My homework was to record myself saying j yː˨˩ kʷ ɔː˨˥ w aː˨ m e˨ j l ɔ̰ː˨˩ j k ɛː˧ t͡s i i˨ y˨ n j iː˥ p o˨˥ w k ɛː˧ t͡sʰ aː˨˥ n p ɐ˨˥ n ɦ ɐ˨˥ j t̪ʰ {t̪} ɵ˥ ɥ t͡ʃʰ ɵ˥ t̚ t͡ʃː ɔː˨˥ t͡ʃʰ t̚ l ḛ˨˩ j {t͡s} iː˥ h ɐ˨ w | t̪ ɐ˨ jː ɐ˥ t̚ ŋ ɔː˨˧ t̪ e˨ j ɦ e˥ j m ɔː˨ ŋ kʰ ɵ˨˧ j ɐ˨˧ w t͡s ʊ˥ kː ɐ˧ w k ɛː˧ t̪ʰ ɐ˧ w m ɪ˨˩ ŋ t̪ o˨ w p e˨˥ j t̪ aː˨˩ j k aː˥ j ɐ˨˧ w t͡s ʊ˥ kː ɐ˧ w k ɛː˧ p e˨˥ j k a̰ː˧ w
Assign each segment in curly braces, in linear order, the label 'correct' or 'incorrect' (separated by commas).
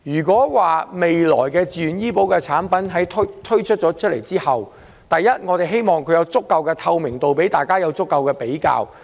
incorrect, correct